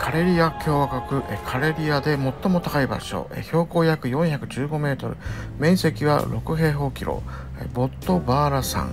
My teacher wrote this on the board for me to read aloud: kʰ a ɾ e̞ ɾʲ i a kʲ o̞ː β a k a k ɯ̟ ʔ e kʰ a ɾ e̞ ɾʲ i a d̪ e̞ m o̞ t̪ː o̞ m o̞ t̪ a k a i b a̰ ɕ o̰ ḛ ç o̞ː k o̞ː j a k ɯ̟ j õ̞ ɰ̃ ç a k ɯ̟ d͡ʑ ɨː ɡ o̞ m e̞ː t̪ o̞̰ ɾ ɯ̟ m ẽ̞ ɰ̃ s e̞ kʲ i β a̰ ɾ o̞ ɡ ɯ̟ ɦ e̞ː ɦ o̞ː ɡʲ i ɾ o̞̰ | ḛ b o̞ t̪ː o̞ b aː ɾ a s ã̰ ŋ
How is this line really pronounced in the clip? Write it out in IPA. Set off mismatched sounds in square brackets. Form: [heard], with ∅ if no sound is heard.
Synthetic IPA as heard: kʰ a ɾ e̞ ɾʲ i a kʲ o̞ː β a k a k ɯ̟ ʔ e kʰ a ɾ e̞ ɾʲ i a d̪ e̞ m o̞ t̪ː o̞ m o̞ t̪ a k a i b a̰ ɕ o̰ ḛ ç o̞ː k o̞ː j a k ɯ̟ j õ̞ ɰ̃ ç a k ɯ̟ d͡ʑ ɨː ɡ o̞ m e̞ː t̪ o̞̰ ɾ ɯ̟ m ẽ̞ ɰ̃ s e̞ kʲ i β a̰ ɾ o̞ [k] ɯ̟ ɦ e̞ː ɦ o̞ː [kʲ] i ɾ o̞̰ | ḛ b o̞ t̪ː o̞ b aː ɾ a s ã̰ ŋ

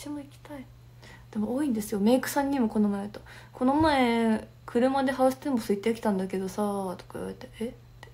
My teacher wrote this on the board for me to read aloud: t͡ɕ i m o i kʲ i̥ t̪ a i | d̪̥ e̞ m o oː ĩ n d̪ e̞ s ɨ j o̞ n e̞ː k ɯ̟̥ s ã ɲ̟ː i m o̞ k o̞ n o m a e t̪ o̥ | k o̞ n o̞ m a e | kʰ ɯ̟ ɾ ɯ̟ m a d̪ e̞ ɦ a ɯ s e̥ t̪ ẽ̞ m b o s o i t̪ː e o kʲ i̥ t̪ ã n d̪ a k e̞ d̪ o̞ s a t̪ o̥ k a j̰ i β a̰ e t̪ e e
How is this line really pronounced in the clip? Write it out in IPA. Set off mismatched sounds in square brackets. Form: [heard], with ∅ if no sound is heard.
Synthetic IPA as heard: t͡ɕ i m o i kʲ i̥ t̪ a i | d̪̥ e̞ m o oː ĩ n d̪ e̞ s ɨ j o̞ [m] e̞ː k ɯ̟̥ s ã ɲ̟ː i m o̞ k o̞ n o m a e t̪ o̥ | k o̞ n o̞ m a e | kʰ ɯ̟ ɾ ɯ̟ m a d̪ e̞ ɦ a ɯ s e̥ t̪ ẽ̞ m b o s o i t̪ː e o kʲ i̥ t̪ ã n d̪ a k e̞ d̪ o̞ s a t̪ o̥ k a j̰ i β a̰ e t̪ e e

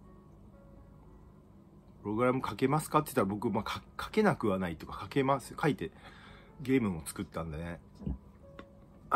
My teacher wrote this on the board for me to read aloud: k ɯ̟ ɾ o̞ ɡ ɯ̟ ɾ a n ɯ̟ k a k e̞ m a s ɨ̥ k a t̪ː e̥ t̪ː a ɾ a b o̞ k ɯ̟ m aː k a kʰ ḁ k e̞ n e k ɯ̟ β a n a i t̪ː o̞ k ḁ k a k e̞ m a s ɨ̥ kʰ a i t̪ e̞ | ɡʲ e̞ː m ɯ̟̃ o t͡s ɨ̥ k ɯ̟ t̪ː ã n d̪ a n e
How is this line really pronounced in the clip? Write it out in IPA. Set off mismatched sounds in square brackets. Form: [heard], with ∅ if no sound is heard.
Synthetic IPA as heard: [p] ɯ̟ ɾ o̞ ɡ ɯ̟ ɾ a [m] ɯ̟ k a k e̞ m a s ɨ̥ k a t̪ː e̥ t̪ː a ɾ a b o̞ k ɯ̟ m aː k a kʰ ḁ k e̞ n [a] k ɯ̟ β a n a i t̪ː o̞ k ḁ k a k e̞ m a s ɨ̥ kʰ a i t̪ e̞ | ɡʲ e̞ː m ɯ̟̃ o t͡s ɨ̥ k ɯ̟ t̪ː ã n d̪ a n e

